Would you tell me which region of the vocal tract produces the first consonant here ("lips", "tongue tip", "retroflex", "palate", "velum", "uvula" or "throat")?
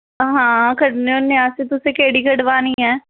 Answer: throat